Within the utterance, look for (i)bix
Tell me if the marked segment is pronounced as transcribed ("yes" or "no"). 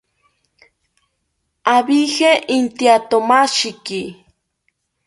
no